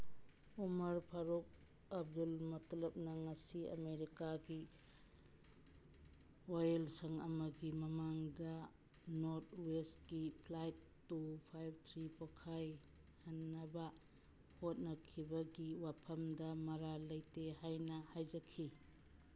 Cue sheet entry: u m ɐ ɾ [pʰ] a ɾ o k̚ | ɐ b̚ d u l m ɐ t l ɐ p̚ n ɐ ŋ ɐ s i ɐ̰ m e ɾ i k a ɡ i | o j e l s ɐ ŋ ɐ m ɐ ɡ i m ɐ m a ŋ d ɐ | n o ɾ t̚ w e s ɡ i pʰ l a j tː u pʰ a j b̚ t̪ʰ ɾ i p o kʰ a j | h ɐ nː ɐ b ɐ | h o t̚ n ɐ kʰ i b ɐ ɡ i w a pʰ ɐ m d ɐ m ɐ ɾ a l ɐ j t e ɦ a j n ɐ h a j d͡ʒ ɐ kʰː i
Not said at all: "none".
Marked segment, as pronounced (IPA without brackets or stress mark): pʰ